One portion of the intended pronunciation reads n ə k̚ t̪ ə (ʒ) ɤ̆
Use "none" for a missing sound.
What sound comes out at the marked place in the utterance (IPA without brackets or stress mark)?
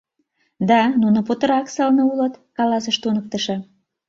ʃ